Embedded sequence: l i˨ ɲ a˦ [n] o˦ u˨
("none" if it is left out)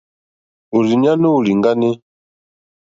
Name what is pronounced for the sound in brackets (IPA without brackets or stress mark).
n